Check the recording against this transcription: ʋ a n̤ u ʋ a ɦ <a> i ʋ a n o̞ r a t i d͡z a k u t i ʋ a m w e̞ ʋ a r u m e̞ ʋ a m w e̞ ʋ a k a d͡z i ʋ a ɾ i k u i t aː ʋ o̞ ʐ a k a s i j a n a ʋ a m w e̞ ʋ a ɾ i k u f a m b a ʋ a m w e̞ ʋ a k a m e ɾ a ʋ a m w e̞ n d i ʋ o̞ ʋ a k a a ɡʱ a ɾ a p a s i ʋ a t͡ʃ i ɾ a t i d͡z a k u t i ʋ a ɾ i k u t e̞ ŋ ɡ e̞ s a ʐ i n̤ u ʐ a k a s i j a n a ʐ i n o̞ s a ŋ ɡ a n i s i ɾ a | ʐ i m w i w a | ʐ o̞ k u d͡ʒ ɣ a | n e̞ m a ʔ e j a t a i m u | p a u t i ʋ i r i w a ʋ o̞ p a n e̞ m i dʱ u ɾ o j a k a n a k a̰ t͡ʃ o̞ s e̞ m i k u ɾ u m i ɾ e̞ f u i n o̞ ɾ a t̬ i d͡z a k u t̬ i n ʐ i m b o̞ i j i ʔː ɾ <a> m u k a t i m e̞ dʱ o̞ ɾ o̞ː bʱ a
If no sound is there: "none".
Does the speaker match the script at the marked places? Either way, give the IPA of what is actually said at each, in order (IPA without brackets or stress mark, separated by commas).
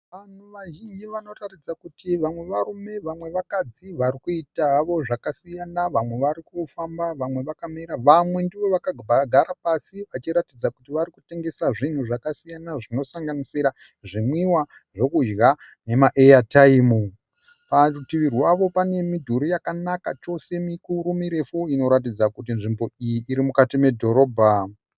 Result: i, i